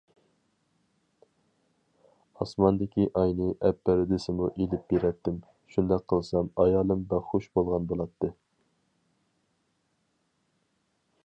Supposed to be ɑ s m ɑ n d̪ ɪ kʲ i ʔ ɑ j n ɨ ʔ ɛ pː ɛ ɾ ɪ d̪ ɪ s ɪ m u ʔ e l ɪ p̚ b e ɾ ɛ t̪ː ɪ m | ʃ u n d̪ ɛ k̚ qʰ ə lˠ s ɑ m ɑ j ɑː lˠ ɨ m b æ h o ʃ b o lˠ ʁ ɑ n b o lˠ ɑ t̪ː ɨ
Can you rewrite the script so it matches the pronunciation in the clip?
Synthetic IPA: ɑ s m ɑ n d̪ ɪ kʲ i ʔ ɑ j n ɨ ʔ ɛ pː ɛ ɾ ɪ d̪ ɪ s ɪ m u ʔ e l ɪ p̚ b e ɾ ɛ t̪ː ɪ m | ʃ u n d̪ ɛ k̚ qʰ ə lˠ s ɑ m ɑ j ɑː lˠ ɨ m b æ χ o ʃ b o lˠ ʁ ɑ n b o lˠ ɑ t̪ː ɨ